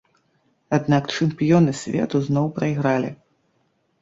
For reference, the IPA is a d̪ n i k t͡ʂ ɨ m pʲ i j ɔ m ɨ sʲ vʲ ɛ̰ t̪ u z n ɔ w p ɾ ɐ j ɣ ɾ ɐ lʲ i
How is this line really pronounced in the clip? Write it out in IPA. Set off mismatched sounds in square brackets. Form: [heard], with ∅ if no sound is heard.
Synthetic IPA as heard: a d̪ n [a] k t͡ʂ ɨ m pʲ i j ɔ [n] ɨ sʲ vʲ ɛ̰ t̪ u z n ɔ w p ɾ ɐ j ɣ ɾ [a] lʲ i